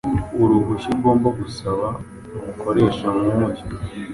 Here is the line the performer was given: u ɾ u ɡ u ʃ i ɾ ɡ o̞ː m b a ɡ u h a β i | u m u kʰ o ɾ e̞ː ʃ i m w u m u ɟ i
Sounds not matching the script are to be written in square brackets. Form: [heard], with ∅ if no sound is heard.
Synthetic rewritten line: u ɾ u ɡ u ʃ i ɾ ɡ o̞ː m b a ɡ u [s] a β [a] | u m u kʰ o ɾ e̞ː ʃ [a] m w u m u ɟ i